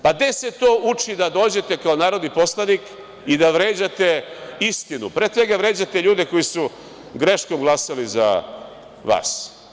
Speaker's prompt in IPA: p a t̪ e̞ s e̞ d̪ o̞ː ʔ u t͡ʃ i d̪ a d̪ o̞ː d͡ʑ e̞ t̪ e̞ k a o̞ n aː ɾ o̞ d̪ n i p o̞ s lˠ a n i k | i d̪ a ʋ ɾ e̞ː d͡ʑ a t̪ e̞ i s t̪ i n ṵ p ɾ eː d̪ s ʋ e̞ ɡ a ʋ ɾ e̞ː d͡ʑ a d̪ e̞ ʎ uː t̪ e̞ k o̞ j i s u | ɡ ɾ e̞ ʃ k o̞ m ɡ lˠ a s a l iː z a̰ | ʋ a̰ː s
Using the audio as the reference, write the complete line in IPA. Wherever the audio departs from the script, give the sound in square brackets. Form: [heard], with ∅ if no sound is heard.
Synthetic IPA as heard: p a [d̪] e̞ s e̞ [t̪] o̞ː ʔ u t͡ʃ i d̪ a d̪ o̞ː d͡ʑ e̞ t̪ e̞ k a o̞ n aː ɾ o̞ d̪ n i p o̞ s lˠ a n i k | i d̪ a ʋ ɾ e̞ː d͡ʑ a t̪ e̞ i s t̪ i n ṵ p ɾ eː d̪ s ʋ e̞ ɡ a ʋ ɾ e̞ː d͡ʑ a [t̪] e̞ ʎ uː [d̪] e̞ k o̞ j i s u | ɡ ɾ e̞ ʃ k o̞ m ɡ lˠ a s a l [i] z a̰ | ʋ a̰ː s